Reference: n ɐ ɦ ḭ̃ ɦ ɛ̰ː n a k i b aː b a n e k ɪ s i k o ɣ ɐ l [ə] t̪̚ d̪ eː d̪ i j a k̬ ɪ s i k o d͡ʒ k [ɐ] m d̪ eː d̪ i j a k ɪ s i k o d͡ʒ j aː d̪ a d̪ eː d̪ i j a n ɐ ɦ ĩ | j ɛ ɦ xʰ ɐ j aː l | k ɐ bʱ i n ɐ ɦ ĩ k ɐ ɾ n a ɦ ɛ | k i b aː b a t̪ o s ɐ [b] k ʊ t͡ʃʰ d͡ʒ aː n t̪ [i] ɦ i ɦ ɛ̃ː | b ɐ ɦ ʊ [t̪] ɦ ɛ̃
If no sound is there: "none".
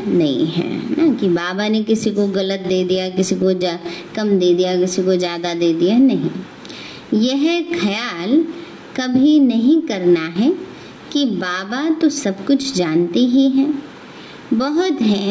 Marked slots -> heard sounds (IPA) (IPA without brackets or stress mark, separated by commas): ə, ɐ, b, i, t̪